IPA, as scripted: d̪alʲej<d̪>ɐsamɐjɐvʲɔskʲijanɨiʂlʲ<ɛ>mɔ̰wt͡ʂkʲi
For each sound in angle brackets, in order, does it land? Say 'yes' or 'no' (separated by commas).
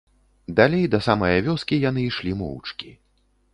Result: yes, no